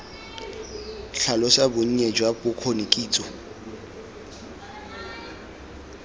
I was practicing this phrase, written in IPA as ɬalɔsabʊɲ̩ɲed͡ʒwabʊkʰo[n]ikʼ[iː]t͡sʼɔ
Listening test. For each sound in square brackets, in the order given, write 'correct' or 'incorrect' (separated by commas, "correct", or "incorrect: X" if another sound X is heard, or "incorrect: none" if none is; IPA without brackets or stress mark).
correct, correct